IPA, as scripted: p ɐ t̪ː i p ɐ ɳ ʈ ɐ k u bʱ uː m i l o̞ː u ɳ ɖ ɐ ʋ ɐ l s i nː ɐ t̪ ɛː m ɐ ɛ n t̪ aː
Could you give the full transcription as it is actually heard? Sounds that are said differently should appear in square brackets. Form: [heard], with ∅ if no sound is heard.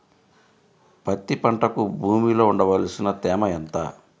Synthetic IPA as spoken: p ɐ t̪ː i p ɐ ɳ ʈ ɐ k u bʱ uː m i l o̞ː u ɳ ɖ ɐ ʋ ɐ l s i [n] ɐ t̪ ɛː m ɐ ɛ n t̪ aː